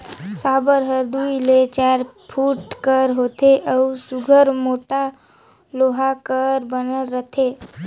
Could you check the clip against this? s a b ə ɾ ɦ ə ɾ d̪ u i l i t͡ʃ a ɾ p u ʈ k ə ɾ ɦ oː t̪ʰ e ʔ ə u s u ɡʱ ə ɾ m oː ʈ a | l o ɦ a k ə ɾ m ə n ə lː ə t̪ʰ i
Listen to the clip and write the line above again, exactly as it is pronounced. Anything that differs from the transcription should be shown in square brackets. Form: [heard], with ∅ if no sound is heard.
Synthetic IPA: s a b ə ɾ ɦ ə ɾ d̪ u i l [e] t͡ʃ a ɾ [pʰ] u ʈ k ə ɾ ɦ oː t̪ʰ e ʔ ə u s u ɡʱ ə ɾ m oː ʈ a | l o ɦ a k ə ɾ [b] ə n ə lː ə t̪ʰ [e]